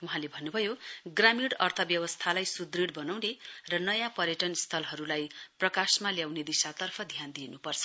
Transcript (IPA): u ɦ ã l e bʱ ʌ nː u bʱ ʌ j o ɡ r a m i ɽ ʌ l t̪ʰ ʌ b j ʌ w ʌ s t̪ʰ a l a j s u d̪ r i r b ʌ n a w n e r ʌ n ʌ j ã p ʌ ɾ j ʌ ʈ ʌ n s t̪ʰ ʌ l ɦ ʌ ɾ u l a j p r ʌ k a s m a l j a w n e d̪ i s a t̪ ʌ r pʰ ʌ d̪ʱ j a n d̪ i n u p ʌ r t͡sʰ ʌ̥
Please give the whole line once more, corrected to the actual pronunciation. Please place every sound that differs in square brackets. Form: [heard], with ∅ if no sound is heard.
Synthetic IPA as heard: u ɦ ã l e bʱ ʌ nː u bʱ ʌ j o ɡ r a m i ɽ ʌ [r] t̪ʰ ʌ b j ʌ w ʌ s t̪ʰ a l a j s u d̪ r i [ɽ] b ʌ n a w n e r ʌ n ʌ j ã p ʌ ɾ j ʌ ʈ ʌ n s t̪ʰ ʌ l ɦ ʌ ɾ u l a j p r ʌ k a s m a l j a w n e d̪ i s a t̪ ʌ r pʰ ʌ d̪ʱ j a n d̪ i n u p ʌ r t͡sʰ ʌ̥